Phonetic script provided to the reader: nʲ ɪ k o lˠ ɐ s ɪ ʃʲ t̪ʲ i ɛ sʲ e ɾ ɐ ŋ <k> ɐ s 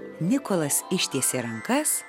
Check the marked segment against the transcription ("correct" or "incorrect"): correct